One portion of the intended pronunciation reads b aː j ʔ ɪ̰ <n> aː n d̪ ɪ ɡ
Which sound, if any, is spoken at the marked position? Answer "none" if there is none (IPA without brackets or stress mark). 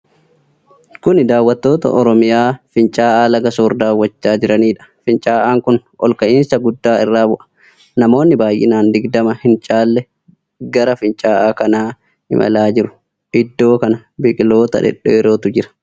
n